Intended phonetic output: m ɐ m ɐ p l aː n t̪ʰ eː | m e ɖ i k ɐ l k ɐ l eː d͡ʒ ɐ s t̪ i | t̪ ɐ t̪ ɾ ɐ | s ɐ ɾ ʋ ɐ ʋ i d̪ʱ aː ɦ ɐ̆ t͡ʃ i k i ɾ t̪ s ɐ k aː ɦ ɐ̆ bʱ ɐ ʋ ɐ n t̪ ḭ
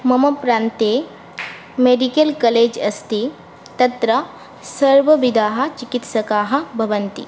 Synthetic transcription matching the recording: m ɐ m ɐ p ɾ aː n t̪ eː | m e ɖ i k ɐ l k ɐ l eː d͡ʒ ɐ s t̪ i | t̪ ɐ t̪ ɾ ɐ | s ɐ ɾ ʋ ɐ ʋ i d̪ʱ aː ɦ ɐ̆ t͡ʃ i k i t̪ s ɐ k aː ɦ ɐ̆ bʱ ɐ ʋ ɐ n t̪ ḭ

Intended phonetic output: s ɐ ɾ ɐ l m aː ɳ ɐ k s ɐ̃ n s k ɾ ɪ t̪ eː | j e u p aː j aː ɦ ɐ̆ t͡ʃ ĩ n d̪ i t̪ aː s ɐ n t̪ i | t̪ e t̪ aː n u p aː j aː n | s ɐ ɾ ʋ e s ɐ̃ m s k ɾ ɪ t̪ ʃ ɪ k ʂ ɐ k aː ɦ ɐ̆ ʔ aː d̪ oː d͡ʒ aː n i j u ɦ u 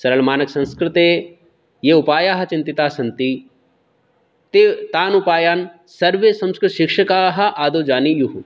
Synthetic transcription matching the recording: s ɐ ɾ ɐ l m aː n ɐ k s ɐ̃ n s k ɾ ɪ t̪ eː | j e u p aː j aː ɦ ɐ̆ t͡ʃ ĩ n t̪ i t̪ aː s ɐ n t̪ i | t̪ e t̪ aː n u p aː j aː n | s ɐ ɾ ʋ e s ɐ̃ m s k ɾ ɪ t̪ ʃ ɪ k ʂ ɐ k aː ɦ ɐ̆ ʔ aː d̪ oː d͡ʒ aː n i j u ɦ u

